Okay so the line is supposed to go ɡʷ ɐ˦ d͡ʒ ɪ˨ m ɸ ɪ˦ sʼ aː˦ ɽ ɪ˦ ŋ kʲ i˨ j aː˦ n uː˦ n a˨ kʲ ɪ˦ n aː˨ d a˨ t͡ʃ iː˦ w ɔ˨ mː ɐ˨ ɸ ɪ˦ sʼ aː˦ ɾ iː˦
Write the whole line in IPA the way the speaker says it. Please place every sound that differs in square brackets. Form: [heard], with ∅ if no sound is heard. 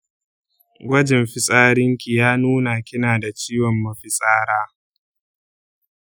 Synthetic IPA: ɡʷ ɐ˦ d͡ʒ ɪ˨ m ɸ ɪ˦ sʼ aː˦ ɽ ɪ˦ ŋ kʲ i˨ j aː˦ n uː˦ n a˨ kʲ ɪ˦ n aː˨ d a˨ t͡ʃ iː˦ w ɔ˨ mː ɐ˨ ɸ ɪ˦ sʼ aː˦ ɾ [aː˦]